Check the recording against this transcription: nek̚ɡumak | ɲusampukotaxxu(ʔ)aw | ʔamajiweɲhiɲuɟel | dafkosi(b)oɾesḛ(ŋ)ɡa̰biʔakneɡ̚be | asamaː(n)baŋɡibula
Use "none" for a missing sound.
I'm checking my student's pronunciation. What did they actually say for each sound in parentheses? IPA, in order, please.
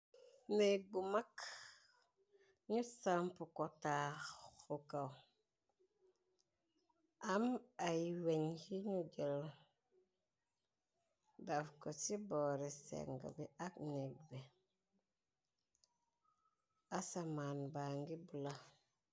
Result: k, b, ŋ, n

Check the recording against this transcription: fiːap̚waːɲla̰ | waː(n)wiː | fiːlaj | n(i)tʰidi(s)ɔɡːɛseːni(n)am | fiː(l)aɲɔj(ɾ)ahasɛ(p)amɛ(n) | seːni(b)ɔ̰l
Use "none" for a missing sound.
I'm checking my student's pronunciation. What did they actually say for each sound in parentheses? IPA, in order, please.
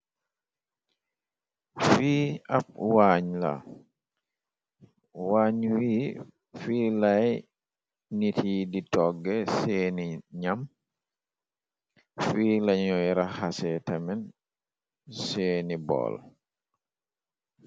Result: ɲ, i, t, ɲ, l, ɾ, t, n, b

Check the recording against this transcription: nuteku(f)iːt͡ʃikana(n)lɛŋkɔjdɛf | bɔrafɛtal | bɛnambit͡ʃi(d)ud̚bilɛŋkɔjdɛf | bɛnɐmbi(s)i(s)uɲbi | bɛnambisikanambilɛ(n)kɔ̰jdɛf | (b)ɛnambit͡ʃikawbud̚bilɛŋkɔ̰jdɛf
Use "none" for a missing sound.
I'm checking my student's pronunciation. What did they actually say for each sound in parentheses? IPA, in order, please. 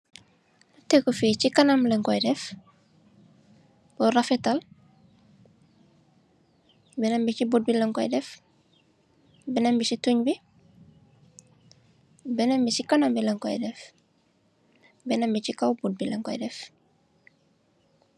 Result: f, m, b, s, t, ŋ, b

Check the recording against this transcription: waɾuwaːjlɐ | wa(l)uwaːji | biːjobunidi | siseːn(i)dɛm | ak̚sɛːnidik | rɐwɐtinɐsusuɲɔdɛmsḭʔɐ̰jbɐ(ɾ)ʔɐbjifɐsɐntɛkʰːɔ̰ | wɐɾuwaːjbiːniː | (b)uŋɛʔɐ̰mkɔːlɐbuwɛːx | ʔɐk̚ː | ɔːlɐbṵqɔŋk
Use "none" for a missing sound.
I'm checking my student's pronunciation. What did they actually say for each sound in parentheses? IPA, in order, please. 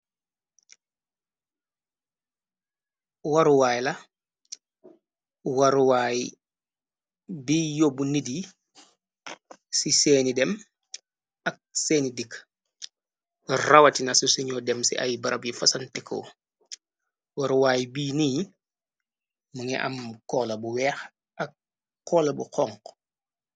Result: ɾ, i, ɾ, m

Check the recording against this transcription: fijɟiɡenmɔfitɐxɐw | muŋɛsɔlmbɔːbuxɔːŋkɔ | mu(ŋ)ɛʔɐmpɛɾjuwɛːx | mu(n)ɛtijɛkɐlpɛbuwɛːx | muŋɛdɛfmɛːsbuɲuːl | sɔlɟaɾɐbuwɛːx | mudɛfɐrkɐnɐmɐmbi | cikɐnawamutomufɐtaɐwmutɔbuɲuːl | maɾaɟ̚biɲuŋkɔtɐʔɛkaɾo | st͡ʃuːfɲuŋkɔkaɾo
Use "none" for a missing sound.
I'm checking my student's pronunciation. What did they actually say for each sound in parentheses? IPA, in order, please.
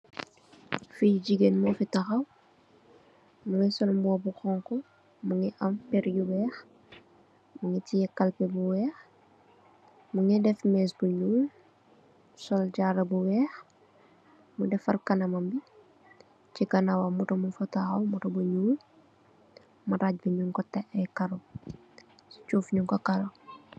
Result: ŋ, ŋ

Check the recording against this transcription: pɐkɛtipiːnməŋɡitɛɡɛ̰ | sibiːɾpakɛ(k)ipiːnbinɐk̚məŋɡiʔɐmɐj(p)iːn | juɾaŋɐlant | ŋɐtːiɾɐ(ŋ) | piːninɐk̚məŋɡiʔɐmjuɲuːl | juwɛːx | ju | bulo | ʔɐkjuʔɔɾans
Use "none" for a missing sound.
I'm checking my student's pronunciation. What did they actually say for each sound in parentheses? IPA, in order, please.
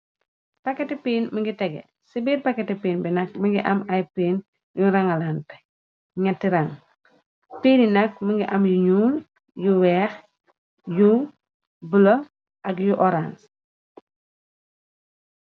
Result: t, p, ŋ

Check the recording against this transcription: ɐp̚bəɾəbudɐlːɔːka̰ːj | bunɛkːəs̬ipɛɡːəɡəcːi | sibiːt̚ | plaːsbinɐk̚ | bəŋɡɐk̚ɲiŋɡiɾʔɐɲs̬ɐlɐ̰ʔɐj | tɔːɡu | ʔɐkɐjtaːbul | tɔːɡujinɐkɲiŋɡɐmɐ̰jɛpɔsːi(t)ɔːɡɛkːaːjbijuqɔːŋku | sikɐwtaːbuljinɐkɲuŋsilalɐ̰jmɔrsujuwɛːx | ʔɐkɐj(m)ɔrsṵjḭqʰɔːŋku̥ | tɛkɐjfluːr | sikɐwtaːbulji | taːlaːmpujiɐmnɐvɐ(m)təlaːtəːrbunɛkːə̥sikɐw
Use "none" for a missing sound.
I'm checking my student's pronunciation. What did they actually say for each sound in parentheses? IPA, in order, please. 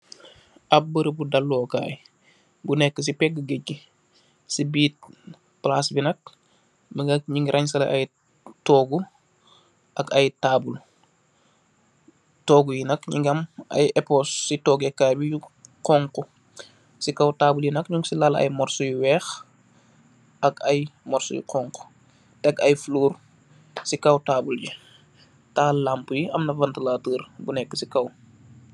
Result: t, m, n

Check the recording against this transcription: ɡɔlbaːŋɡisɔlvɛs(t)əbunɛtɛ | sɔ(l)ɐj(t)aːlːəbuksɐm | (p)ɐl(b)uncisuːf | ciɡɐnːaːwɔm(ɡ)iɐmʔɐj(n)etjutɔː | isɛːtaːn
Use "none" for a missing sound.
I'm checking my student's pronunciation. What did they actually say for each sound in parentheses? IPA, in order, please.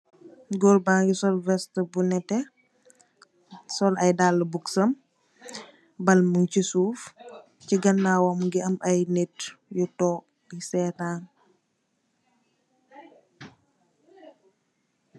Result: t, l, d, b, m, ɡ, n

